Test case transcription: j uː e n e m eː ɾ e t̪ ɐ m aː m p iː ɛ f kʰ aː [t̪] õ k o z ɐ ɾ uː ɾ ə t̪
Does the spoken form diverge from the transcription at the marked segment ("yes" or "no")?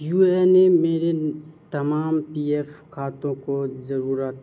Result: no